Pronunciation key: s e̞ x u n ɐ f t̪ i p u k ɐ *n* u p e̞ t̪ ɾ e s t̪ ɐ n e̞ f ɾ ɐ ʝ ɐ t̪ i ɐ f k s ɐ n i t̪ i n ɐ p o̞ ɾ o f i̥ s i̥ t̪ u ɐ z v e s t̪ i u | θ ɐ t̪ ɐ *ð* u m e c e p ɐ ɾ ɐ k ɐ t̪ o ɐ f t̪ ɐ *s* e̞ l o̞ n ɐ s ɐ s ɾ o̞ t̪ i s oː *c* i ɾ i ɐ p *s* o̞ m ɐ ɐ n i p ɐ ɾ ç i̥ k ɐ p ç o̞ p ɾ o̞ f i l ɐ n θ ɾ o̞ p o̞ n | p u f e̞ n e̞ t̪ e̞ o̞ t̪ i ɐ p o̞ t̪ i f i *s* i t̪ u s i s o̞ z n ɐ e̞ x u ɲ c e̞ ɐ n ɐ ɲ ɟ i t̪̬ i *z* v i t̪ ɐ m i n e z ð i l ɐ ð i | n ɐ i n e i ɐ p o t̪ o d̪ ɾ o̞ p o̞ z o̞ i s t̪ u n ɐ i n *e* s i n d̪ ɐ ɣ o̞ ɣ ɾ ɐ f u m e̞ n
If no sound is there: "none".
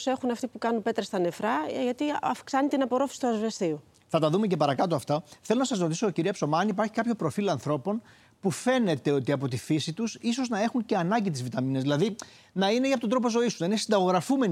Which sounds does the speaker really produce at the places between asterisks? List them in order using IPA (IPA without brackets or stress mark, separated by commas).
n, ð, θ, c, s, s, z, e